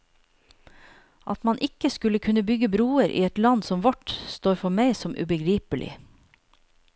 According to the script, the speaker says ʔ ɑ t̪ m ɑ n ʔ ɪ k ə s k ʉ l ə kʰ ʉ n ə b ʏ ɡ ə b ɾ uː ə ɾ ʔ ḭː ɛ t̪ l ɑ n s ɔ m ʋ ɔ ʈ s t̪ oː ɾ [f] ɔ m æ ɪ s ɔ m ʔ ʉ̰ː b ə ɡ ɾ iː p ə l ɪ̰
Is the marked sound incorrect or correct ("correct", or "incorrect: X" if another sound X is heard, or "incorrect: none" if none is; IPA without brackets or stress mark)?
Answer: correct